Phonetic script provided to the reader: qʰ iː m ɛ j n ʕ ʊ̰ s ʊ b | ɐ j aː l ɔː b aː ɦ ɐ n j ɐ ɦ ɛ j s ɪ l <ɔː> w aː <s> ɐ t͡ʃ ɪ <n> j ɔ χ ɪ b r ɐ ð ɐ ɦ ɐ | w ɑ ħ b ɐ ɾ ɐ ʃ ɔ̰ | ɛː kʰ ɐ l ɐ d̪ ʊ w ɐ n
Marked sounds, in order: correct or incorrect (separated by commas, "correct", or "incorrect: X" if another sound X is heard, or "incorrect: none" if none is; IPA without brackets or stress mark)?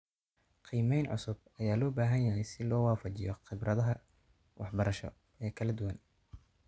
correct, incorrect: f, incorrect: none